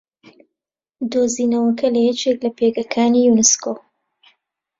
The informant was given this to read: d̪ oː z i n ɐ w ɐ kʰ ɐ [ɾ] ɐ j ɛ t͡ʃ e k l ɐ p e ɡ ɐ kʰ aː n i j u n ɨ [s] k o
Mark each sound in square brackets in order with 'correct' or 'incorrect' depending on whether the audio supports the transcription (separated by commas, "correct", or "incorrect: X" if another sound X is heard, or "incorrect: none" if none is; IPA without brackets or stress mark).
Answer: incorrect: l, correct